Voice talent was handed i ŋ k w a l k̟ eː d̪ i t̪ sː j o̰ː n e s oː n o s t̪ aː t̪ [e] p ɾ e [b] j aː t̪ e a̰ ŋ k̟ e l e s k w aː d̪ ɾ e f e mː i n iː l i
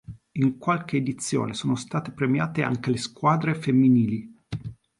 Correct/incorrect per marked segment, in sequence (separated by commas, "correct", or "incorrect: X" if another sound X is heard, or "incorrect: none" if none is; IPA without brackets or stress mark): correct, incorrect: m